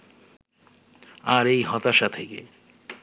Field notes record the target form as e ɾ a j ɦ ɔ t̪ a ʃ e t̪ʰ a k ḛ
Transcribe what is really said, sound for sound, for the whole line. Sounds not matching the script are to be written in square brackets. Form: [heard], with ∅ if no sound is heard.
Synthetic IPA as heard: [a] ɾ [e] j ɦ ɔ t̪ a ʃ [a] t̪ʰ [e] k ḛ